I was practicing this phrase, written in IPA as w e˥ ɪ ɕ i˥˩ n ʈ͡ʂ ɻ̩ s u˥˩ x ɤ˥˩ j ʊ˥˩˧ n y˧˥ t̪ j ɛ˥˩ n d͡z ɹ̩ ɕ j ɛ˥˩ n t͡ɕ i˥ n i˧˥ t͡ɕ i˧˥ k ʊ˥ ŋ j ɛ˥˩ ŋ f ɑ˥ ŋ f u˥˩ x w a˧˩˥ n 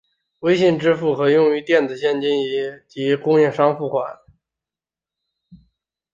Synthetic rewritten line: w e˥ ɪ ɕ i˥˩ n ʈ͡ʂ ɻ̩ f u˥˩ x ɤ˧˥ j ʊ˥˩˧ ŋ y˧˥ t̪ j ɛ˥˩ n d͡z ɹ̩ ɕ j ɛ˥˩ n t͡ɕ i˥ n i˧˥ t͡ɕ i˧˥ k ʊ˥ ŋ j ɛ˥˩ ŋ ʂ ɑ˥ ŋ f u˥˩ x w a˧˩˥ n